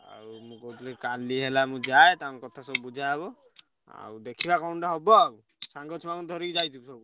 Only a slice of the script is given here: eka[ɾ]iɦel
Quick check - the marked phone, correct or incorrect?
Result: incorrect